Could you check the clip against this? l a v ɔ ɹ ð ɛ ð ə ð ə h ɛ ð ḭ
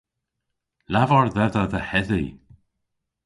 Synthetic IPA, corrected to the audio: l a v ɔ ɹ ð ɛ ð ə ð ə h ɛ ð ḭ